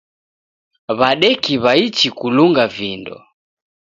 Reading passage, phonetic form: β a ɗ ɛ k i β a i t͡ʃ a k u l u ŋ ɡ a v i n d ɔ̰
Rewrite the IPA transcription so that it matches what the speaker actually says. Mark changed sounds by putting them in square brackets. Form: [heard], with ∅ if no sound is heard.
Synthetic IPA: β a ɗ ɛ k i β a i t͡ʃ [i] k u l u ŋ ɡ a v i n d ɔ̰